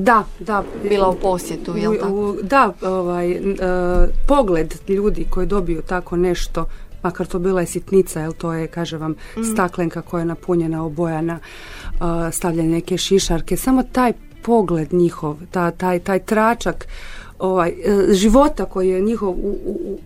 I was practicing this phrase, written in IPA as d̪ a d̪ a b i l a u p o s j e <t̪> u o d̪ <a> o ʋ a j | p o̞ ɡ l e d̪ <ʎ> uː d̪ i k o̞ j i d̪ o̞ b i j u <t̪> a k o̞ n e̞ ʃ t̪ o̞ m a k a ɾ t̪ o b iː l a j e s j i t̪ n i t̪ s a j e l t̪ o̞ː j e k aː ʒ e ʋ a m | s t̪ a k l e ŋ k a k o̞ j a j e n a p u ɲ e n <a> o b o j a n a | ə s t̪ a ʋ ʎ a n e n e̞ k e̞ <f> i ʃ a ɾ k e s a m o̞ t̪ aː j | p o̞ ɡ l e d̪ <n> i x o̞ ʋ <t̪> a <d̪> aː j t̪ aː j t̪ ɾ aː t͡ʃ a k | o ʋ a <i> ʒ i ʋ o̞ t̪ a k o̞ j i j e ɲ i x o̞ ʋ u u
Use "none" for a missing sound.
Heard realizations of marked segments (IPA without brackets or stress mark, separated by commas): t̪, a, ʎ, t̪, a, ʃ, ɲ, t̪, t̪, j